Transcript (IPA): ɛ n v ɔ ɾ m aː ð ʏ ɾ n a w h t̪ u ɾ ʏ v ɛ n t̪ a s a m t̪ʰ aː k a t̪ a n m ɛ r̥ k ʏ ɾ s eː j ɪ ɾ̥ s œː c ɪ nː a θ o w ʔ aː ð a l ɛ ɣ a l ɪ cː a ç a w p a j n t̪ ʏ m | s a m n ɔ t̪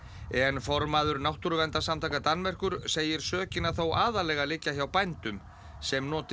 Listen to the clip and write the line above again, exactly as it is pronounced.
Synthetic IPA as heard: ɛ n f ɔ ɾ m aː ð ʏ ɾ n a w h t̪ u ɾ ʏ v ɛ n t̪ a s a m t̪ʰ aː k a t̪ a n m ɛ r̥ k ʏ ɾ s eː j ɪ ɾ̥ s œː c ɪ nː a θ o w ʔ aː ð a l ɛ ɣ a l ɪ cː a ç a w p a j n t̪ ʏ m | s ɛ m n ɔː t̪